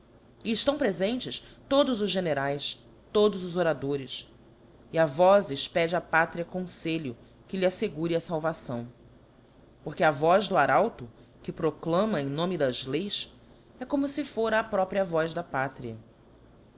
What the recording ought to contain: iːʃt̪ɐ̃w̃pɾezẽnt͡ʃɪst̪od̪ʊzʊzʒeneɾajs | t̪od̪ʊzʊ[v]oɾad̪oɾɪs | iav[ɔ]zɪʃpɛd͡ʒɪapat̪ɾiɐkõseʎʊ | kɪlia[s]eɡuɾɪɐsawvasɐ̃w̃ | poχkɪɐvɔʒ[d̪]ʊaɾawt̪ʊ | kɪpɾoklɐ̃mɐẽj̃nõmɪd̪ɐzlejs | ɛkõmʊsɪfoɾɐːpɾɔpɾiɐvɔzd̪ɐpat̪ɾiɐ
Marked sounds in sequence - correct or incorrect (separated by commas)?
incorrect, correct, correct, correct